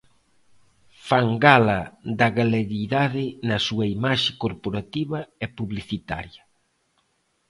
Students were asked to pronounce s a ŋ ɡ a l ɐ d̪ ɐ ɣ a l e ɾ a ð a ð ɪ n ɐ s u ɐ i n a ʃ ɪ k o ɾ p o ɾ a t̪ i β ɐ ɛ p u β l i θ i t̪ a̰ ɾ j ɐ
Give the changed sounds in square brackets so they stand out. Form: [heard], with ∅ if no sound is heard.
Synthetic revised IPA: [f] a ŋ ɡ a l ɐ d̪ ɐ ɣ a l e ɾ [i] ð a ð ɪ n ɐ s u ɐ i [m] a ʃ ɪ k o ɾ p o ɾ a t̪ i β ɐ ɛ p u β l i θ i t̪ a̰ ɾ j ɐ